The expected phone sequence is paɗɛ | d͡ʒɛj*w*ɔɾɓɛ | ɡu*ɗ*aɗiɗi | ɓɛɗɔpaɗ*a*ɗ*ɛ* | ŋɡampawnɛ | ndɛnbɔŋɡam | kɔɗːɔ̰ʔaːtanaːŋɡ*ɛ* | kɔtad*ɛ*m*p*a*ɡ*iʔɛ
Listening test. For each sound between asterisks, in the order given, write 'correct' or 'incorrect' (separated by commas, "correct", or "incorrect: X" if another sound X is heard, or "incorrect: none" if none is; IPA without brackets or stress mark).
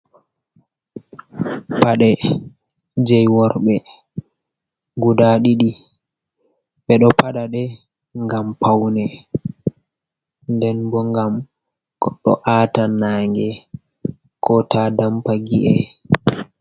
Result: correct, incorrect: d, correct, correct, correct, incorrect: a, correct, correct